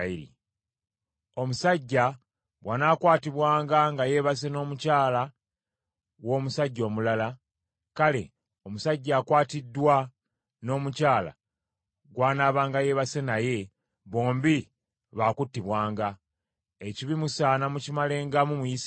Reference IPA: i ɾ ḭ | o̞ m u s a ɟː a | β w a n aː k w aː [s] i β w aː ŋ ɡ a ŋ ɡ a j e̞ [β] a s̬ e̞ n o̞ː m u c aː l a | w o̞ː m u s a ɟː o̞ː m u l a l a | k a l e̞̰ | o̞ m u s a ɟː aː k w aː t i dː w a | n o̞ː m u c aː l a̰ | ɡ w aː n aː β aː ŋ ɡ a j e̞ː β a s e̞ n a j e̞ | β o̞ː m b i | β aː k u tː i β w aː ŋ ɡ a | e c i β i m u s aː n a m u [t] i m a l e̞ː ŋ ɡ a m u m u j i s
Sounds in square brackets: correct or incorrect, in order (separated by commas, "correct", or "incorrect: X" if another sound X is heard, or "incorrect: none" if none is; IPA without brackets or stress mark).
incorrect: t, correct, incorrect: c